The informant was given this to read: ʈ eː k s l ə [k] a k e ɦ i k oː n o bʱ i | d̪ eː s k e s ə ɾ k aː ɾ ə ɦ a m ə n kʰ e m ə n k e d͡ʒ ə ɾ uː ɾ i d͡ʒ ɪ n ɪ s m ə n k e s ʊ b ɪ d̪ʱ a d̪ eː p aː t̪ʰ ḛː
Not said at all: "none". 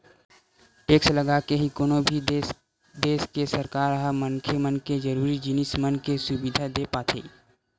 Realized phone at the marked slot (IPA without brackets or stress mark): ɡ